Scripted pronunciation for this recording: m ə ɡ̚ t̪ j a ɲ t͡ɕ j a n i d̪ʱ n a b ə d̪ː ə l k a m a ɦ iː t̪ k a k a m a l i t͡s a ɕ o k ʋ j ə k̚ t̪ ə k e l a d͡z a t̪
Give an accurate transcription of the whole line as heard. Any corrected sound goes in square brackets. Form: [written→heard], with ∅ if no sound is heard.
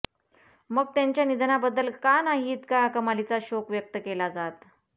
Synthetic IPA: m ə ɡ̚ t̪ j a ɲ t͡ɕ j a n i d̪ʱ n a b ə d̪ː ə l k a [m→n] a ɦ iː t̪ k a k [a→ə] m a l i t͡s a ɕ o k ʋ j ə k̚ t̪ ə k e l a d͡z a t̪